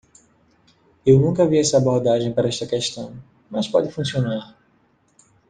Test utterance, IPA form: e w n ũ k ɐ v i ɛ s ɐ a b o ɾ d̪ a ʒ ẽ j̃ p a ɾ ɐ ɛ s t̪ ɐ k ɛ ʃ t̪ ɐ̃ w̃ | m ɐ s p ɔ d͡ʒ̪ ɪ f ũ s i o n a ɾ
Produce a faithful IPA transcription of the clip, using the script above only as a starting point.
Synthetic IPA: e w n ũ k ɐ v i ɛ s ɐ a b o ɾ d̪ a ʒ ẽ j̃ p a ɾ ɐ ɛ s t̪ ɐ k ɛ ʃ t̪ ɐ̃ w̃ | m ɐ s p ɔ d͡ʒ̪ ɪ f ũ s i o n a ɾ